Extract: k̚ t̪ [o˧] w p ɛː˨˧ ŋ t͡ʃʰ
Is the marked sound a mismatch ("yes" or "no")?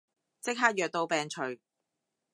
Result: no